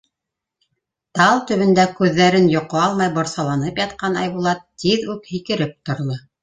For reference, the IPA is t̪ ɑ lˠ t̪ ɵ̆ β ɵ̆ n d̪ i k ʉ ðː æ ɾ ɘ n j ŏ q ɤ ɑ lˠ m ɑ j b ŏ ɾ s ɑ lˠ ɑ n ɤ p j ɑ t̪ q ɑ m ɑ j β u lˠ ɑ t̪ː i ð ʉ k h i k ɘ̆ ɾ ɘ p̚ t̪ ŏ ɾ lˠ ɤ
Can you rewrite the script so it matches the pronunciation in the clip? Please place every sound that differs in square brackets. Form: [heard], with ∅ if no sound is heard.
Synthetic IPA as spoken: t̪ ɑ lˠ t̪ ɵ̆ β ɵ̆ n d̪ [æ] k ʉ ðː æ ɾ ɘ n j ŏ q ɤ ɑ lˠ m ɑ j b ŏ ɾ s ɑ lˠ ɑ n ɤ p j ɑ t̪ q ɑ [n] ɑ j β u lˠ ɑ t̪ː i ð ʉ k h i k ɘ̆ ɾ ɘ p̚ t̪ ŏ ɾ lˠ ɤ